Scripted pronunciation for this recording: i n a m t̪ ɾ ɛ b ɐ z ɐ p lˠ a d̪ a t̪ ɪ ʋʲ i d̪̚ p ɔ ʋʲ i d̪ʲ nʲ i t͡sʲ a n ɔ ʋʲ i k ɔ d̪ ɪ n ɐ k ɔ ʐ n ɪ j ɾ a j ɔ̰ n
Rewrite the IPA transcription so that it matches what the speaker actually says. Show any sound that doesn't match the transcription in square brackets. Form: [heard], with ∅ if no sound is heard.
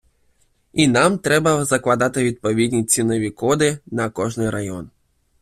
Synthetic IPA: i n a m t̪ ɾ ɛ b ɐ z ɐ [k] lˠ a d̪ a t̪ ɪ ʋʲ i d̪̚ p ɔ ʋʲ i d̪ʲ nʲ i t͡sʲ [i] n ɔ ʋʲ i k ɔ d̪ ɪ n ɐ k ɔ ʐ n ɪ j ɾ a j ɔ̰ n